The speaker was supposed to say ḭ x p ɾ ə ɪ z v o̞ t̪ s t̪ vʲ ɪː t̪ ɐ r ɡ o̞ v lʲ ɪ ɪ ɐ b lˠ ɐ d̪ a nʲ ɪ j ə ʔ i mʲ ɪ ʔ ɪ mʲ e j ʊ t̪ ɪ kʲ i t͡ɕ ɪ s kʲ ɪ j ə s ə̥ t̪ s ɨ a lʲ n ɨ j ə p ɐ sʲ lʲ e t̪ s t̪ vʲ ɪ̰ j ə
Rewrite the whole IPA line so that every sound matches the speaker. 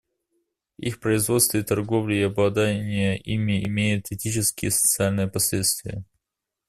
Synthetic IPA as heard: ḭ x p ɾ ə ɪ z v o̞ t̪ s t̪ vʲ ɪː t̪ ɐ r ɡ o̞ v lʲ ɪ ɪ ɐ b lˠ ɐ d̪ a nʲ ɪ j ə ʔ i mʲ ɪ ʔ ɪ mʲ e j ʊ t̪ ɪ tʲ i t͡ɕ ɪ s kʲ ɪ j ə s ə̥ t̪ s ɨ a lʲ n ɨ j ə p ɐ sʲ lʲ e t̪ s t̪ vʲ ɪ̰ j ə